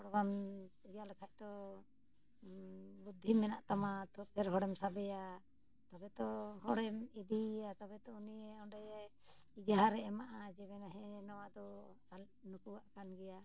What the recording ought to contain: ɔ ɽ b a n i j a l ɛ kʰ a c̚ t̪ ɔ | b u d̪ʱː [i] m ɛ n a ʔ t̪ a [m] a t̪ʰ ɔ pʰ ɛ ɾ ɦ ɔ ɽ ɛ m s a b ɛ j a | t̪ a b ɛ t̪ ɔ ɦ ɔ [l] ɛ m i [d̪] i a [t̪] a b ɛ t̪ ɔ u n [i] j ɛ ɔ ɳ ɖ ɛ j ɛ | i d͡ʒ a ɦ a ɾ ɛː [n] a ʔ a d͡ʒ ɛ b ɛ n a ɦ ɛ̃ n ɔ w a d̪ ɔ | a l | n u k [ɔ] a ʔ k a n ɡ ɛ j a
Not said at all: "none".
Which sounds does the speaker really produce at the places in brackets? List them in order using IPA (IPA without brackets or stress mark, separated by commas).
i, m, ɽ, d̪, t̪, i, m, u